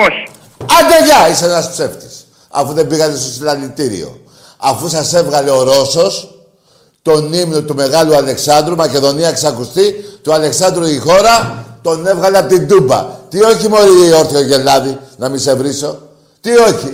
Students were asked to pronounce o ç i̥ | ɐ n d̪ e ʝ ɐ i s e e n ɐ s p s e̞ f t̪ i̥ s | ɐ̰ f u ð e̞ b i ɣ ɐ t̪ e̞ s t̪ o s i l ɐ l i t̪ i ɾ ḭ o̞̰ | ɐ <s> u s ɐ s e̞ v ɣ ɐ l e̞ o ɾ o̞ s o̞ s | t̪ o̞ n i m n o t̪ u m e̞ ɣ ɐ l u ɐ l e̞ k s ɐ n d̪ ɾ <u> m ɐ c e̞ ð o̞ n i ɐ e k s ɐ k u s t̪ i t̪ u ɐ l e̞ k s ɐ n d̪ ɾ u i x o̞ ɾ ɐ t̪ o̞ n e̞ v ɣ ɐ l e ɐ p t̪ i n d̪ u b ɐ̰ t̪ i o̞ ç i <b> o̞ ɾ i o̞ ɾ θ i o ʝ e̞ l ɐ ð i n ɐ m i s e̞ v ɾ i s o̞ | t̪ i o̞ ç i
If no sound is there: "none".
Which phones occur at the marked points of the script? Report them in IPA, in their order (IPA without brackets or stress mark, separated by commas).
f, u, m